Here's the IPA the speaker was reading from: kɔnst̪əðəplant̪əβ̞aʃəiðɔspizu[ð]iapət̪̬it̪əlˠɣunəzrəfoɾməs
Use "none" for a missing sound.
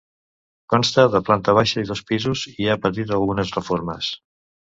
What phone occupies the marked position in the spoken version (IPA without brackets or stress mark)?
z